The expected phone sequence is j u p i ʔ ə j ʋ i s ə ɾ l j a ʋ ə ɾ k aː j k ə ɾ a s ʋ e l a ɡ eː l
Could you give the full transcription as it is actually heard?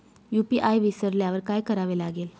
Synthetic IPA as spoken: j u p i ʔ a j ʋ i s ə ɾ l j a ʋ ə ɾ k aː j k ə ɾ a ʋ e l a ɡ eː l